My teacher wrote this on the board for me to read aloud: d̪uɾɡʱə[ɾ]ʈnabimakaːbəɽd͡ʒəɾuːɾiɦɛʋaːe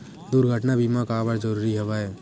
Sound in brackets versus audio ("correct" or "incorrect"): incorrect